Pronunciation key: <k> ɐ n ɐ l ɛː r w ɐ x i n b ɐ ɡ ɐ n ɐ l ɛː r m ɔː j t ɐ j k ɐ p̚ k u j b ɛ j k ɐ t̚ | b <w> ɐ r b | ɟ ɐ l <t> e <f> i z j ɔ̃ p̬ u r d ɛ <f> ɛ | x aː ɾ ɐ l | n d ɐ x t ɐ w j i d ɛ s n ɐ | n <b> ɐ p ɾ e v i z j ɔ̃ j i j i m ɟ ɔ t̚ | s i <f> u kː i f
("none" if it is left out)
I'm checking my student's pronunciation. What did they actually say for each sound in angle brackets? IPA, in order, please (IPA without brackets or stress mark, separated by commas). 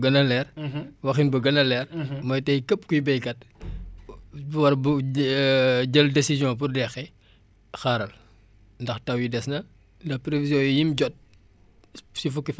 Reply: ɡ, w, d, s, x, d, f